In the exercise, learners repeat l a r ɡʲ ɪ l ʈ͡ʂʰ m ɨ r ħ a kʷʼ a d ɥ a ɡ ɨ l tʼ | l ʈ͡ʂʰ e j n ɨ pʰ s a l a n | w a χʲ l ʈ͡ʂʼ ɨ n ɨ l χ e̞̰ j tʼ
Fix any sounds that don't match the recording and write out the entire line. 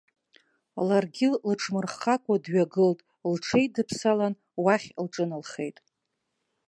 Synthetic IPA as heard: l a r ɡʲ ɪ l ʈ͡ʂʰ m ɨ r χ a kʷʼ a d ɥ a ɡ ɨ l tʼ | l ʈ͡ʂʰ e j d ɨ pʰ s a l a n | w a χʲ l ʈ͡ʂʼ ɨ n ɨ l χ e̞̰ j tʼ